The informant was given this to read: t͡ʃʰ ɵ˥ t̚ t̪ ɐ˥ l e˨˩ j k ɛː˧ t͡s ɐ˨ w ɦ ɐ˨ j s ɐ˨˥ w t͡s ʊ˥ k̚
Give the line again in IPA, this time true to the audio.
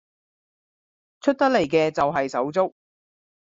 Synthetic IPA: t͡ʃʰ ɵ˥ t̚ t̪ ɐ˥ l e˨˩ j k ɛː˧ t͡s ɐ˨ w ɦ ɐ˨ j s ɐ˨˥ w t͡s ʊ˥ k̚